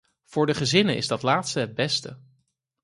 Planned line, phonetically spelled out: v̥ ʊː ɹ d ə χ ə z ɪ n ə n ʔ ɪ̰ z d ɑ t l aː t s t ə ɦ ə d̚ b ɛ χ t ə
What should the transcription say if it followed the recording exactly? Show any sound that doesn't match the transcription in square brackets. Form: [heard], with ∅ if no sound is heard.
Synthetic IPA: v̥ ʊː ɹ d ə χ ə z ɪ n ə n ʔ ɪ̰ z d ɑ t l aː t s t ə ɦ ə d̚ b ɛ [s] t ə